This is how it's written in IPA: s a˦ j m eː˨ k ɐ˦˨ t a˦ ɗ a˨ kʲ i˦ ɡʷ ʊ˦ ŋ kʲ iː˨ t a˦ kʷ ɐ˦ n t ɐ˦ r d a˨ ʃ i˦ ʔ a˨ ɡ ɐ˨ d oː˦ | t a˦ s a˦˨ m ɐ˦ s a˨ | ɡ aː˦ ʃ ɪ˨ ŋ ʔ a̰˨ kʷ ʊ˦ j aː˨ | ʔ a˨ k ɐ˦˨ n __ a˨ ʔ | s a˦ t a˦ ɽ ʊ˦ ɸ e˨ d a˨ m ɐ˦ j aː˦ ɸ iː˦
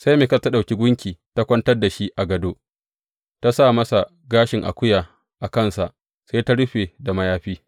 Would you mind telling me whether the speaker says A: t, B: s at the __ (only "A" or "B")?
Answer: B